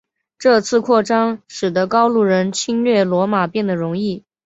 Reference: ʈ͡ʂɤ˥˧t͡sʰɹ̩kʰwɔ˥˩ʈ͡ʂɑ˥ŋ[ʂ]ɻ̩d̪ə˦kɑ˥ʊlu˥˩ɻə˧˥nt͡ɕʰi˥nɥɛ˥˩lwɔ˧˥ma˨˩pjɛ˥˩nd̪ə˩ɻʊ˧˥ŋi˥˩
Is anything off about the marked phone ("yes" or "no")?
no